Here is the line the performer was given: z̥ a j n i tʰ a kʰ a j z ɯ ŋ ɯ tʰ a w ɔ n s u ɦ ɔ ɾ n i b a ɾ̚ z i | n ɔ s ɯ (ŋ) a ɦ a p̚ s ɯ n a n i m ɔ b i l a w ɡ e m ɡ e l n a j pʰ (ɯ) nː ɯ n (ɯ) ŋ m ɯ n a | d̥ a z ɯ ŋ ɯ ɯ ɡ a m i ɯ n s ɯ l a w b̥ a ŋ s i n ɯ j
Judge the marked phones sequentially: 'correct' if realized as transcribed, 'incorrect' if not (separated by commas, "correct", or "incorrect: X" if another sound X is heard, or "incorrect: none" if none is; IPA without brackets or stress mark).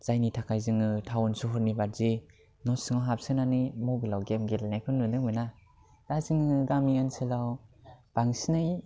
correct, correct, correct